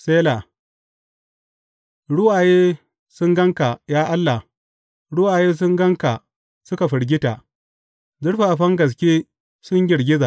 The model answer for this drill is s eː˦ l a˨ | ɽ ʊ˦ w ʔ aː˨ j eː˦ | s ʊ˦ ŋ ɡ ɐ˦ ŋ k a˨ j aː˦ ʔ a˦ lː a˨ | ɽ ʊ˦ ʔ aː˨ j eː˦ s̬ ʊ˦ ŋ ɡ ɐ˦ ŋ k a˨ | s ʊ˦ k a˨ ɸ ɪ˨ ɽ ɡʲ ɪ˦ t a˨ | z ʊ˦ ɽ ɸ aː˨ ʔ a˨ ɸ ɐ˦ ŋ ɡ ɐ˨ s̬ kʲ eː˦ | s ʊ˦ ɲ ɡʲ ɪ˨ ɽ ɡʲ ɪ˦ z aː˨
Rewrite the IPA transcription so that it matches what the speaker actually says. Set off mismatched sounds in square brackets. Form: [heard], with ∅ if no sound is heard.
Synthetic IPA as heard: s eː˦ l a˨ | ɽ ʊ˦ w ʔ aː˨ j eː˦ | s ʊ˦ ŋ ɡ ɐ˦ ŋ k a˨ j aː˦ ʔ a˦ lː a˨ | ɽ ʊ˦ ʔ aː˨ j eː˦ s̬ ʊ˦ ŋ ɡ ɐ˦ ŋ k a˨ | s ʊ˦ k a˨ ɸ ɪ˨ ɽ ɡʲ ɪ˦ t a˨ | z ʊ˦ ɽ ɸ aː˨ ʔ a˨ ɸ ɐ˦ ŋ ɡ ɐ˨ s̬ kʲ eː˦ | s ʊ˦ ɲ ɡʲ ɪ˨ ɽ ɡʲ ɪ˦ z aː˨

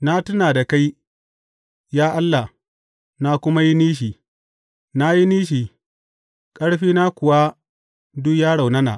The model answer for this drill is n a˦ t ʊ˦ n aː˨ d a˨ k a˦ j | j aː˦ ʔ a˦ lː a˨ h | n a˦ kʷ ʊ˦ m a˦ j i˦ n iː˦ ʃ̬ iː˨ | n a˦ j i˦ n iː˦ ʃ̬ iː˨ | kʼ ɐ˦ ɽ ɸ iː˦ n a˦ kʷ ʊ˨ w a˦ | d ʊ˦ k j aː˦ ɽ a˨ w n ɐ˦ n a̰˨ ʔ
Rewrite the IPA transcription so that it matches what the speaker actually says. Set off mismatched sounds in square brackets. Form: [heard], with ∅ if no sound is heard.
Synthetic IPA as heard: n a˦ t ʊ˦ n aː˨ d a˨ k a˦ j | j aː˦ ʔ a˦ lː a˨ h | n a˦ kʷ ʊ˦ m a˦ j i˦ n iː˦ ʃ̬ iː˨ | n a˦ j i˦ n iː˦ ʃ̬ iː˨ | kʼ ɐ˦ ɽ ɸ iː˦ n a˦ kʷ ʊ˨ w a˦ | d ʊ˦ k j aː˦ ɽ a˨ w n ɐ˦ n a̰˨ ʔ

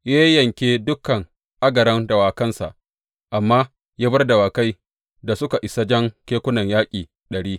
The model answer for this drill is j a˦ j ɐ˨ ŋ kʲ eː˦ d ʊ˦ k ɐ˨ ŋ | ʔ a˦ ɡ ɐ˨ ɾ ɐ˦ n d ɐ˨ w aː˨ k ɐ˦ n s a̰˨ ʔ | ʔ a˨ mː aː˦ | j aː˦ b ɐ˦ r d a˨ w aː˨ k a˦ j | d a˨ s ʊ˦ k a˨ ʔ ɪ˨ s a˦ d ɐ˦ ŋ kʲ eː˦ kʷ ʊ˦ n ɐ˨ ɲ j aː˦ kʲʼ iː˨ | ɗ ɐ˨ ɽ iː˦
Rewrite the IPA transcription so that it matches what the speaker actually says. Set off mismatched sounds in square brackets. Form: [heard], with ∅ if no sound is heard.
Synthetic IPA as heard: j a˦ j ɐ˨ ŋ kʲ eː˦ d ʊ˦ k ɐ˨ ŋ | ʔ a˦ ɡ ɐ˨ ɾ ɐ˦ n d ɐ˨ w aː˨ k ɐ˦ n s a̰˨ ʔ | ʔ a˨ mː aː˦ | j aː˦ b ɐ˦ r d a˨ w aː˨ k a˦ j | d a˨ s ʊ˦ k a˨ ʔ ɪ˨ s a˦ [d͡ʒ] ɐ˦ ŋ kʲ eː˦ kʷ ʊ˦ n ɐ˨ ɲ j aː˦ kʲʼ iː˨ | ɗ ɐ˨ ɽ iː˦

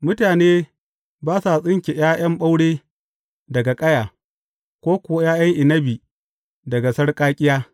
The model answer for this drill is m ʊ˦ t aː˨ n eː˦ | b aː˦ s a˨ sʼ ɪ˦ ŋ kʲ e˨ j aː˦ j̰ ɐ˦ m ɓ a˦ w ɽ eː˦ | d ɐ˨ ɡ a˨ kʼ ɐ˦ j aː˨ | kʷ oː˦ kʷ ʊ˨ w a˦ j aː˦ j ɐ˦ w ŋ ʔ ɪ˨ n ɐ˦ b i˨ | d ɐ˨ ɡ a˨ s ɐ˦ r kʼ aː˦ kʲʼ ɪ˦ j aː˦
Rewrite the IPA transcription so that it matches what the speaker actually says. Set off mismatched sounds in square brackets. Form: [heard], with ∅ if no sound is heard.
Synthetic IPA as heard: m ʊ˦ t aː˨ n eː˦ | b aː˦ s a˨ sʼ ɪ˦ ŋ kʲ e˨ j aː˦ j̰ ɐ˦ m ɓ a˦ w ɽ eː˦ | d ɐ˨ ɡ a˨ kʼ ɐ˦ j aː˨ | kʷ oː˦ kʷ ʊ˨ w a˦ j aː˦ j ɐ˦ [∅] ŋ ʔ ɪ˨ n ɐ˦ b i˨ | d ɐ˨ ɡ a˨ s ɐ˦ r kʼ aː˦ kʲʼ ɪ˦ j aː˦

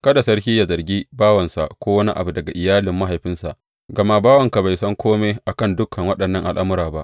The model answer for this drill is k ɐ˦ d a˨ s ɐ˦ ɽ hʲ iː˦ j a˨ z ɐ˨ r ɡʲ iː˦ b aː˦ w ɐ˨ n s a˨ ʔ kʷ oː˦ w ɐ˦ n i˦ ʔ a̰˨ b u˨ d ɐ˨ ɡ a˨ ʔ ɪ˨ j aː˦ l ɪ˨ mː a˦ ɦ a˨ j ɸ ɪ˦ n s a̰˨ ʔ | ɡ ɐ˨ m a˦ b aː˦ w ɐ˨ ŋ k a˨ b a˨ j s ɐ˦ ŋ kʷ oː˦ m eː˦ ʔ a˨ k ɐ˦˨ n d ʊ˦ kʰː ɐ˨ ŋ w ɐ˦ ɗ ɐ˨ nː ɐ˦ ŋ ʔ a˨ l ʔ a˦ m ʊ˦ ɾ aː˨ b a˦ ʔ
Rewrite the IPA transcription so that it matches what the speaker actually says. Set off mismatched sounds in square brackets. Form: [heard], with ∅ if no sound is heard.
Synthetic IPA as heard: k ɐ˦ d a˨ s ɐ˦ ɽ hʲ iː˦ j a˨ z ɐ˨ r ɡʲ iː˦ b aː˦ w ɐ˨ n s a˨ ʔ kʷ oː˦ w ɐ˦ n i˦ ʔ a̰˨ b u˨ d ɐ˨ ɡ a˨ ʔ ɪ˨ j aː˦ l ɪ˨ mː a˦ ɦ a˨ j ɸ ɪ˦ n s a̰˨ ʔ | ɡ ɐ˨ m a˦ b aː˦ w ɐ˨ ŋ k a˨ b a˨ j s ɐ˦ ŋ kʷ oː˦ m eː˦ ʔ a˨ k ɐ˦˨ n d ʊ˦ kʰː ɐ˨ ŋ w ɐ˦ ɗ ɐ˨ nː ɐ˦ ŋ ʔ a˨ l ʔ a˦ m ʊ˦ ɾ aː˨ b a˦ ʔ

